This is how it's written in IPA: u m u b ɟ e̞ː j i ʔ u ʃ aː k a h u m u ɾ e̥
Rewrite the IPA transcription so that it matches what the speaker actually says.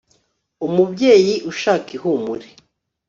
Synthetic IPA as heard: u m u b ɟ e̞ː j i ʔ u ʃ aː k i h u m u ɾ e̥